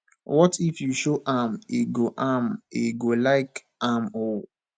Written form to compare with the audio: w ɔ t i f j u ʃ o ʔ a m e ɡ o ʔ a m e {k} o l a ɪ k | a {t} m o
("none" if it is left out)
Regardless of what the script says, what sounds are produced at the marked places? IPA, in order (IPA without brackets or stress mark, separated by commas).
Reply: ɡ, none